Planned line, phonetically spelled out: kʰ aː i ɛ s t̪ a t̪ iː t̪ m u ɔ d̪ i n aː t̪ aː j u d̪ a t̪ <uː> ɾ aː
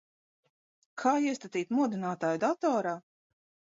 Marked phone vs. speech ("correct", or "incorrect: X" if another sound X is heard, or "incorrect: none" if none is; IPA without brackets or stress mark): incorrect: ɔː